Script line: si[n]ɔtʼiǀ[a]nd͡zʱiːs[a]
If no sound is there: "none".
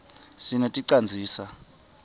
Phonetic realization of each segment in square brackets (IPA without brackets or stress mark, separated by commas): n, a, a